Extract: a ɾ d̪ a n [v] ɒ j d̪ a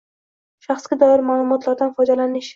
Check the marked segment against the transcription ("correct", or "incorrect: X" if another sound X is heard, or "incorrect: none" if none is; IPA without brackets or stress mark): incorrect: f